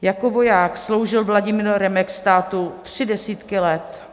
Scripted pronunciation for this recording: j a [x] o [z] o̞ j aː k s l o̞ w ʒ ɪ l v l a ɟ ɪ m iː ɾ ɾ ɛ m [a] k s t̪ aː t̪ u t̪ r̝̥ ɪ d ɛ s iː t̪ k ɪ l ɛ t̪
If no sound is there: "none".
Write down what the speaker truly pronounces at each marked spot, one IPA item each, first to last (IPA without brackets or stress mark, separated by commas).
k, v, ɛ